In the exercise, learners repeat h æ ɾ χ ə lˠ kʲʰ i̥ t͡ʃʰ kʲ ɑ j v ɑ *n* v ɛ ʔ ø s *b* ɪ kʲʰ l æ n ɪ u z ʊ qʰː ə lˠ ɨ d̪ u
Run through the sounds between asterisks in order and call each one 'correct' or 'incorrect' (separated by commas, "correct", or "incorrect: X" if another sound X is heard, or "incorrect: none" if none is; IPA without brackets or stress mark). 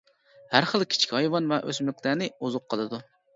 correct, incorrect: m